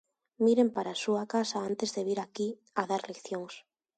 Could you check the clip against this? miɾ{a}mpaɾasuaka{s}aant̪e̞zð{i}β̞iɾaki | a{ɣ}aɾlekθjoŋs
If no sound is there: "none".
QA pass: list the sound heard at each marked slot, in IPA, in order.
e, s, e, ð

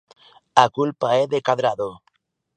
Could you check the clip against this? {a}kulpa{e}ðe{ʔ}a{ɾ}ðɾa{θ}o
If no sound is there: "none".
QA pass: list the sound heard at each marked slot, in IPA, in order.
a, e, k, none, ð

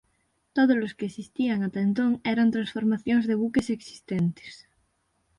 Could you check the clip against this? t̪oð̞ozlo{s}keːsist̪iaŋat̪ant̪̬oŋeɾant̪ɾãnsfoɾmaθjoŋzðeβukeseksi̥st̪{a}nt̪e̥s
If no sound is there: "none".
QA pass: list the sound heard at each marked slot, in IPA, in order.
s, e

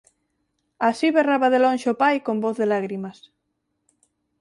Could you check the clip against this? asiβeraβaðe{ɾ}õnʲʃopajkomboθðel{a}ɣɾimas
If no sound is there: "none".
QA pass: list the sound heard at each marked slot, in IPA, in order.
l, a

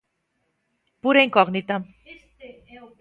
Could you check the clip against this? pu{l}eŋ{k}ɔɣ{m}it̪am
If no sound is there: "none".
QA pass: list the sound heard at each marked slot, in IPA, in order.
ɾ, k, n

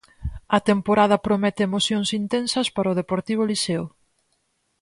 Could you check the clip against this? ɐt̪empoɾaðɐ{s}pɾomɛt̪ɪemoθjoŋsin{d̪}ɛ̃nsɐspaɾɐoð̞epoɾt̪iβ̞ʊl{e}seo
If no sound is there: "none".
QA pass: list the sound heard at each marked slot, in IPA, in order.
none, t̪, i

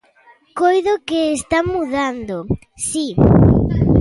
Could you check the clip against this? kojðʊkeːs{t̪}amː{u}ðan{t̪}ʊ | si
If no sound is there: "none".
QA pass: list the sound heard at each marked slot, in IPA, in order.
t̪, u, d̪

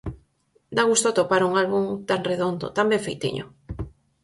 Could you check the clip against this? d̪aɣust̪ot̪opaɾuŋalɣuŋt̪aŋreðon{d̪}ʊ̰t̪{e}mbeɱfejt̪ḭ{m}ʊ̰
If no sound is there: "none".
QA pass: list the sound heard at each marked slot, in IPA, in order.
d̪, a, ɲ

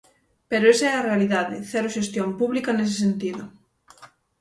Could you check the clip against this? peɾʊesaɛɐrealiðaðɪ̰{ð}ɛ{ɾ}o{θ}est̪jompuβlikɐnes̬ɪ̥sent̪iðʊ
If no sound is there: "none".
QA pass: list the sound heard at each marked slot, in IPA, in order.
θ, ɾ, ʃ

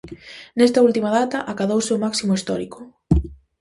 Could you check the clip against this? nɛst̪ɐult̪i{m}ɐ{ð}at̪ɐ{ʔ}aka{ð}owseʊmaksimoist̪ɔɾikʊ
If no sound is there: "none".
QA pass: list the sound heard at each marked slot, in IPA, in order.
m, ð, ʔ, ð

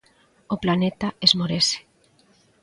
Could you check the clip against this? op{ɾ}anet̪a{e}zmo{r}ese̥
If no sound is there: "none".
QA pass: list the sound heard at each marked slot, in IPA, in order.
l, e, ɾ

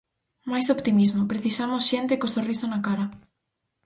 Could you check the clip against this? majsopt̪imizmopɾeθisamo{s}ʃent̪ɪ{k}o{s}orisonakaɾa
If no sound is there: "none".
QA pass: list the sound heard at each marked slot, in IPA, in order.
s, k, s

